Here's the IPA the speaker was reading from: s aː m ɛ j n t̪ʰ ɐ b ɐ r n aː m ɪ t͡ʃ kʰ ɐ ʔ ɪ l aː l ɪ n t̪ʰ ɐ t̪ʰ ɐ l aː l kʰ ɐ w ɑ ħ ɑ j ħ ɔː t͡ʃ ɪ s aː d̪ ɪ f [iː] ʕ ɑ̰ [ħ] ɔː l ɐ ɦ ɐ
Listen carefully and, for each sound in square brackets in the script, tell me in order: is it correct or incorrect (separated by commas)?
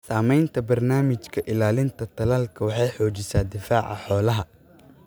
incorrect, correct